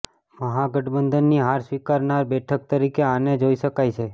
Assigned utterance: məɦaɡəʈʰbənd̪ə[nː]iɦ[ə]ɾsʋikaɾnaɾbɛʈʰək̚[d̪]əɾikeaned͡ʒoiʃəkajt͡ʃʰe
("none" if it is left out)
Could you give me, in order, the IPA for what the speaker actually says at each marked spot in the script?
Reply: nː, a, t̪

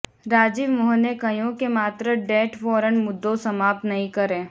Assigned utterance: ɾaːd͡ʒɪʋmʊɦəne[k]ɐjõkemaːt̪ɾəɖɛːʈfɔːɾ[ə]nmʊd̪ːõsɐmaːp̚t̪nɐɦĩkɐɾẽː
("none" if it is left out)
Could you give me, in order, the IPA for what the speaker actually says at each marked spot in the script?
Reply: k, ə

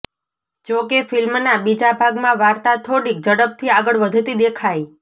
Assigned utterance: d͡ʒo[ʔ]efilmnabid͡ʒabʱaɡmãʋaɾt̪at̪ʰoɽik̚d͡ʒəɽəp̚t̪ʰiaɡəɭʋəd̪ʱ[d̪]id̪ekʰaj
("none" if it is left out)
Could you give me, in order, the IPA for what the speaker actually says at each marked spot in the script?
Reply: k, t̪

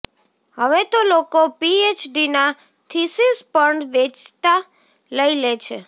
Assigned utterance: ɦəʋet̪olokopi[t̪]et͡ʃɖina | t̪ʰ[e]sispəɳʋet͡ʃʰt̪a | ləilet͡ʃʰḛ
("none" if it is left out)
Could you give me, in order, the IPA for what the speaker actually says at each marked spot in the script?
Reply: none, i

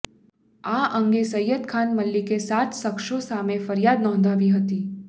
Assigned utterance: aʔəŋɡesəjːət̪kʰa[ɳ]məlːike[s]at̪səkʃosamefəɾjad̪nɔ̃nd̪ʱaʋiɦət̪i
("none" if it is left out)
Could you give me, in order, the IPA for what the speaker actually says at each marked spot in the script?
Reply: n, s

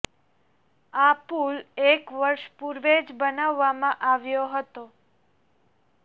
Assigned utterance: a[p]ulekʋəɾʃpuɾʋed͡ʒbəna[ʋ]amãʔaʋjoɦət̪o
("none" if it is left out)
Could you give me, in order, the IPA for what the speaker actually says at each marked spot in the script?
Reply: p, ʋː

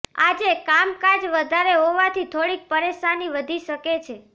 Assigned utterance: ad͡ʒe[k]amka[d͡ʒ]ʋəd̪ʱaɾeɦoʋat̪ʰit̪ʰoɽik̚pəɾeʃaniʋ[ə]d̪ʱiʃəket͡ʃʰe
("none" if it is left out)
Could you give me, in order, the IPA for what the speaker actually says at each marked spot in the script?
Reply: k, d͡ʒ, ə

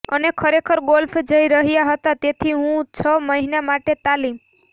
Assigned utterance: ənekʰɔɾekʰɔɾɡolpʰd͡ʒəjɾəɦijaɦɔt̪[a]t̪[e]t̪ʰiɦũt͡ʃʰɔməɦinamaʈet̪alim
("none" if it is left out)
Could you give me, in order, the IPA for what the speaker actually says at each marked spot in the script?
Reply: a, e

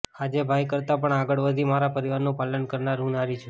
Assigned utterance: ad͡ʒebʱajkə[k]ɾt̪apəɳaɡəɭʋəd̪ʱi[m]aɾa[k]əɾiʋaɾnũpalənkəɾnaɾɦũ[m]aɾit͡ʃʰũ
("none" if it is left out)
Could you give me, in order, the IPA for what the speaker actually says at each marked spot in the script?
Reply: none, m, p, n

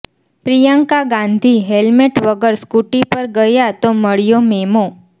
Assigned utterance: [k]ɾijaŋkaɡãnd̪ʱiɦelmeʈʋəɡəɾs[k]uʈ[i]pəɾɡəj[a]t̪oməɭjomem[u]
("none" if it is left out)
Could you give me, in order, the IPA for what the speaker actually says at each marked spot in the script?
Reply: p, k, i, a, o

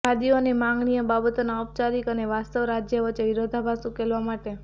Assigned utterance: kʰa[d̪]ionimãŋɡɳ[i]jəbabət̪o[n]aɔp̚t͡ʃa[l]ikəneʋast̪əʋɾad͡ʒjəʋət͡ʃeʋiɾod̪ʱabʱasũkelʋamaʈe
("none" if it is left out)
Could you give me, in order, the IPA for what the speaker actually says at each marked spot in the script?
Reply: d̪, i, n, ɾ

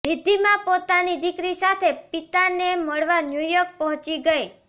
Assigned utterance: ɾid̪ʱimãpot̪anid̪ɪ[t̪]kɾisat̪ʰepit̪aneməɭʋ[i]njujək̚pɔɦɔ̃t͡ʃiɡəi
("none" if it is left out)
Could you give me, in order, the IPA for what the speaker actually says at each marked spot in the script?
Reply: none, a

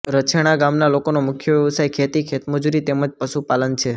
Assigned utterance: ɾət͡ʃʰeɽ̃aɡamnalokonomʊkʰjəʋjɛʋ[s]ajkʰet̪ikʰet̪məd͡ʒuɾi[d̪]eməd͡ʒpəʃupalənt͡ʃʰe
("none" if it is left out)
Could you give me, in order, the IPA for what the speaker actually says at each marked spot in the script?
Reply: s, t̪

